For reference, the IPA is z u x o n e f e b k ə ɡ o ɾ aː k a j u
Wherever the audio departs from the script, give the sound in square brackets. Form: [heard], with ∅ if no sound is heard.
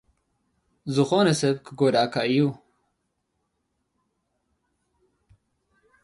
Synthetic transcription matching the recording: z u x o n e [s] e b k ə ɡ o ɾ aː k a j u